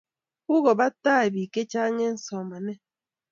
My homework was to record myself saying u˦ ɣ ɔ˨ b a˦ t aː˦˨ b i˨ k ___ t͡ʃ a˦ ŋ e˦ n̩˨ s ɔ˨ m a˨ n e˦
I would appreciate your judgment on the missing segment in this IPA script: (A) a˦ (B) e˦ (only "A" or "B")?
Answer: B